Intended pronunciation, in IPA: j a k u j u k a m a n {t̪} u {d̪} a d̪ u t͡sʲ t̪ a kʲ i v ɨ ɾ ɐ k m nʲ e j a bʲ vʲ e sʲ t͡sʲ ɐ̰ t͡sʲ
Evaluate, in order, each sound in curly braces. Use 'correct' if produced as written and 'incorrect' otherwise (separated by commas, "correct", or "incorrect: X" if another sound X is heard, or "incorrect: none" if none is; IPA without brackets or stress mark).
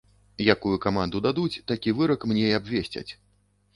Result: incorrect: d̪, correct